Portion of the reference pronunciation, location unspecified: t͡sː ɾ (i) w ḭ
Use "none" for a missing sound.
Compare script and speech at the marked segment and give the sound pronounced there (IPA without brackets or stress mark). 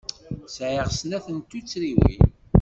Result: i